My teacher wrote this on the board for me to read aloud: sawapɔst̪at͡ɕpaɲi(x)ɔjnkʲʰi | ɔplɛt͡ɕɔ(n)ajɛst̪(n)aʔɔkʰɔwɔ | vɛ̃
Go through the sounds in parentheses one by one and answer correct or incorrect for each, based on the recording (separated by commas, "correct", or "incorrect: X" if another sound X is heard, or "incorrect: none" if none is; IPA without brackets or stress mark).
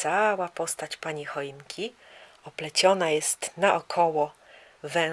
correct, correct, correct